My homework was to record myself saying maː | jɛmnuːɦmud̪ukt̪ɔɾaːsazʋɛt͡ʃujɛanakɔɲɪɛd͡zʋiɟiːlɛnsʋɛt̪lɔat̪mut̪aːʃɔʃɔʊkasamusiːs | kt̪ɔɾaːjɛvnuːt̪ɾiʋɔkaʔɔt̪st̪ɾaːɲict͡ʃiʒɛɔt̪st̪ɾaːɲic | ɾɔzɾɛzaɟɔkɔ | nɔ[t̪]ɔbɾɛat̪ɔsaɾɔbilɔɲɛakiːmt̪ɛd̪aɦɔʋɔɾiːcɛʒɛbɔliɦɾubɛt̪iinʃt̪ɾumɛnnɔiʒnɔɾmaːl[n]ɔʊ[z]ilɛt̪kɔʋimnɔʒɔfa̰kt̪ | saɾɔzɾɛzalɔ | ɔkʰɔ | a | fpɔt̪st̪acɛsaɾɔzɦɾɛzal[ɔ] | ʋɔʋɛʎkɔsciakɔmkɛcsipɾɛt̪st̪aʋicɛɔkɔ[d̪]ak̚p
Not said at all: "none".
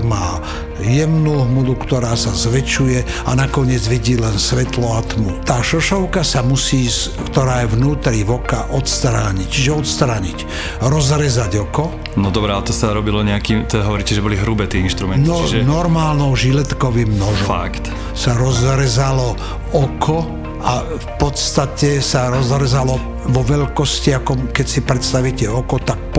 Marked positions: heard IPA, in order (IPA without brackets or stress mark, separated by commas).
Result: d̪, n, ʒ, ɔ, t̪